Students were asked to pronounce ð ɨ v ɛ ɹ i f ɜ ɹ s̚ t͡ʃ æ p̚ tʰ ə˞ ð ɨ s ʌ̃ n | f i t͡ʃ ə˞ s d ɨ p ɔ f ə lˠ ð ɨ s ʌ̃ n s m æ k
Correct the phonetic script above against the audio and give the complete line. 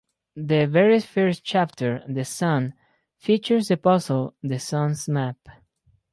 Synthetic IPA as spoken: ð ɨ v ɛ ɹ i f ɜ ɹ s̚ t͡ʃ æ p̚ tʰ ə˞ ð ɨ s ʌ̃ n | f i t͡ʃ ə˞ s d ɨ p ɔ s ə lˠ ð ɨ s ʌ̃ n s m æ p

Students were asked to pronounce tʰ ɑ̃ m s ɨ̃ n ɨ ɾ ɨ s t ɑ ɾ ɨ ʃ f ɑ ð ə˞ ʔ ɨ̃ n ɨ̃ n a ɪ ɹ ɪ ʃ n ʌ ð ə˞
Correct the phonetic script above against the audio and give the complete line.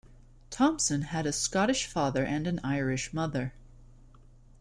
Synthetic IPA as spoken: tʰ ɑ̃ m s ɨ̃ n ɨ ɾ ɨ s k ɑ ɾ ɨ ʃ f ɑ ð ə˞ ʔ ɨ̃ n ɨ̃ n a ɪ ɹ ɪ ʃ m ʌ ð ə˞

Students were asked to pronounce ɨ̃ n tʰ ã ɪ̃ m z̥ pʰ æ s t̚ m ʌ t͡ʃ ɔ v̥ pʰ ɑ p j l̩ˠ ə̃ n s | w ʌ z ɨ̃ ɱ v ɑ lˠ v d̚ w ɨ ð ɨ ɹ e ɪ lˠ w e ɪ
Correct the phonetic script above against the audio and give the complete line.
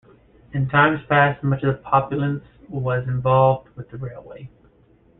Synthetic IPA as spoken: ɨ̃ n tʰ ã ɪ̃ m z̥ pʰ æ s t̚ m ʌ t͡ʃ ʌ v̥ pʰ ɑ p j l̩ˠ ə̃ n s | w ʌ z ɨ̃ ɱ v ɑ lˠ v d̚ w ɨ ð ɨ ɹ e ɪ lˠ w e ɪ

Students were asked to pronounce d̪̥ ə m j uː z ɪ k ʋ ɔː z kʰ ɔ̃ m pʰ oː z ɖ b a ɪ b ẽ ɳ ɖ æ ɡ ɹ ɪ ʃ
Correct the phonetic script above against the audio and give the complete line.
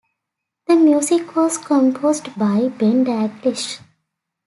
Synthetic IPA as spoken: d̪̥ ə m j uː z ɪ k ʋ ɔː z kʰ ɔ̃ m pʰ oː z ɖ b a ɪ b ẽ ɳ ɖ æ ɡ l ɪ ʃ

